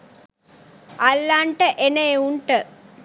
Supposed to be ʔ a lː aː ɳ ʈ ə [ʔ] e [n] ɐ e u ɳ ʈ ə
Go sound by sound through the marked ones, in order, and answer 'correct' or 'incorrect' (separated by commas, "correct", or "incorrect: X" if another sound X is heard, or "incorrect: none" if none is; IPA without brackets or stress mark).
correct, correct